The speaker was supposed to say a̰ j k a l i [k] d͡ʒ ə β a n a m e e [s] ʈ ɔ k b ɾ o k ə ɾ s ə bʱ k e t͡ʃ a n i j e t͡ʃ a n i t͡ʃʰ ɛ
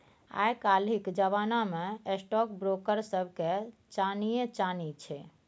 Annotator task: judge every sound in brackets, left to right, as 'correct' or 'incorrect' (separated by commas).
correct, correct